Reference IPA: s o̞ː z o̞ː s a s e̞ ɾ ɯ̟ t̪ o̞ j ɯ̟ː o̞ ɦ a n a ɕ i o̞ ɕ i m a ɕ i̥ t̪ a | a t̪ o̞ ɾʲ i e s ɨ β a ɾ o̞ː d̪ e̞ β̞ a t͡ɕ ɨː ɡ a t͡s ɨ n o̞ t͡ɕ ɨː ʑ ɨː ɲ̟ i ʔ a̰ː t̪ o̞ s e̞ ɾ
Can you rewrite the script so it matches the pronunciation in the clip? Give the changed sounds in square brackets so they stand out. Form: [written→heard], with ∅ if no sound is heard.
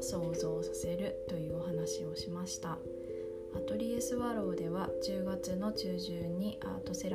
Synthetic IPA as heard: s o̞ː z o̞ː s a s e̞ ɾ ɯ̟ t̪ o̞ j ɯ̟ː o̞ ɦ a n a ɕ i o̞ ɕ i m a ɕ i̥ t̪ a | a t̪ o̞ ɾʲ i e s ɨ β a ɾ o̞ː d̪ e̞ β̞ a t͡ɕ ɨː ɡ a t͡s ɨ n o̞ t͡ɕ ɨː ʑ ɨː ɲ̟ i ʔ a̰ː t̪ o̞ s e̞ ɾ